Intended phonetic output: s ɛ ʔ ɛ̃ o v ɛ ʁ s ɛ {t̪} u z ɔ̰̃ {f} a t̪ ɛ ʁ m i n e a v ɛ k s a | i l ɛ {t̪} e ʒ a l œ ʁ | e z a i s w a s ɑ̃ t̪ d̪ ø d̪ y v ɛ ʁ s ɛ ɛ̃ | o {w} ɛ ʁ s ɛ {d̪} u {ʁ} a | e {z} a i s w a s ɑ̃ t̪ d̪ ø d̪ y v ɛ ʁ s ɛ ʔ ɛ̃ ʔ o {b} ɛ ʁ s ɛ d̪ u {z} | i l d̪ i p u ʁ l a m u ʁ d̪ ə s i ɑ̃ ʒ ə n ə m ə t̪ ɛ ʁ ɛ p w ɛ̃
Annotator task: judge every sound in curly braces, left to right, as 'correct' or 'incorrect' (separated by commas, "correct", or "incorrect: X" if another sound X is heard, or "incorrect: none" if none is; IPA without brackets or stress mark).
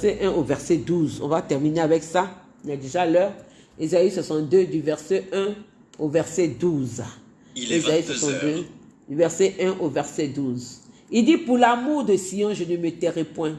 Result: incorrect: d̪, incorrect: v, incorrect: d̪, incorrect: v, correct, incorrect: z, correct, incorrect: v, correct